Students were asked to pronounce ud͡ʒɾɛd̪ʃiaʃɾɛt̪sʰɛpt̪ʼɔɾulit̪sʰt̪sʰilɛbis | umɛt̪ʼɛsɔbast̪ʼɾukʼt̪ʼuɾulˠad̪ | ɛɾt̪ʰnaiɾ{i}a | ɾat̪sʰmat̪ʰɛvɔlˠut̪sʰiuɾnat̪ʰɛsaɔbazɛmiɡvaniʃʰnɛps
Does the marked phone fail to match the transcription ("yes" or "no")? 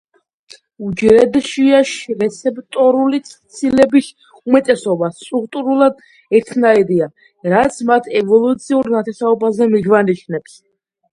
no